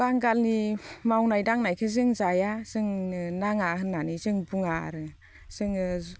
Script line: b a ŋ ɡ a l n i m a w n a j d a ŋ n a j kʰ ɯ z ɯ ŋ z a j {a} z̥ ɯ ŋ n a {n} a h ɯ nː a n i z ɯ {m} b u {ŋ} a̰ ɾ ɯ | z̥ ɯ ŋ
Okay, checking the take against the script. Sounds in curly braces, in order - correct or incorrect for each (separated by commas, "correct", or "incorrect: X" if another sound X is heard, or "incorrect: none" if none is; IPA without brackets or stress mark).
correct, incorrect: ŋ, incorrect: ŋ, correct